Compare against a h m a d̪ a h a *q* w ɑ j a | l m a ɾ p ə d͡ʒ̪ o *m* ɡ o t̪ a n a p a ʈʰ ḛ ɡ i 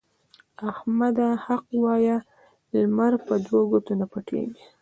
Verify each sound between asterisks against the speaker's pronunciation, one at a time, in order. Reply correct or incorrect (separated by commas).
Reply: correct, incorrect